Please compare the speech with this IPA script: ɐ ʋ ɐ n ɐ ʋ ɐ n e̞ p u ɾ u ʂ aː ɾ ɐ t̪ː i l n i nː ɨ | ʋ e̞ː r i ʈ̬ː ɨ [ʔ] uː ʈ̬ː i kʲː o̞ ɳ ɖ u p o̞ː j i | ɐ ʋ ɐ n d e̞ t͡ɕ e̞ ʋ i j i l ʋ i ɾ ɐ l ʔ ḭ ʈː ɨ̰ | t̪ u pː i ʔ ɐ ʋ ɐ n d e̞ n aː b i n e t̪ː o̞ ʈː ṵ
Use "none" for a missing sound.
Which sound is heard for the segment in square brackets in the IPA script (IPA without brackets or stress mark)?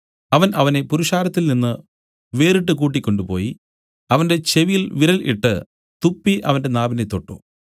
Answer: k